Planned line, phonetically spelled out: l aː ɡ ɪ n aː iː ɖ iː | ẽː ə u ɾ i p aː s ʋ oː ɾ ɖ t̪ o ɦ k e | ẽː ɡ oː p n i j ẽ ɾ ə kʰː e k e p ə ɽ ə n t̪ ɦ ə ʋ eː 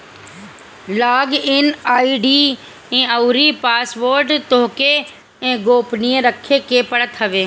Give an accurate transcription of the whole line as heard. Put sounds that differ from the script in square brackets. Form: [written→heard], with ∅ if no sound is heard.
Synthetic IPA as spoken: l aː ɡ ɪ n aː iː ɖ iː | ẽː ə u ɾ i p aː s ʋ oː ɾ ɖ t̪ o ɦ k e | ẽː ɡ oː p n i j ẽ ɾ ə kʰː e k e p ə ɽ ə [n→∅] t̪ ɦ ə ʋ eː